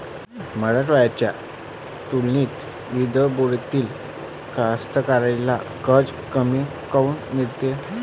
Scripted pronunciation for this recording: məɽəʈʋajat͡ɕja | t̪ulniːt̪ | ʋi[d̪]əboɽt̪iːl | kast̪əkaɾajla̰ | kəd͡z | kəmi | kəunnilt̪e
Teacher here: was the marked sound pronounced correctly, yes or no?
yes